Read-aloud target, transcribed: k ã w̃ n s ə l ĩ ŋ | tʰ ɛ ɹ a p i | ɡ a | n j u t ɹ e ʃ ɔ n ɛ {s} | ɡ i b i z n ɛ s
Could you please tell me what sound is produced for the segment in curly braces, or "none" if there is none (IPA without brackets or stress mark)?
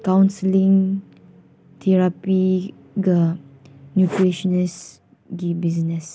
s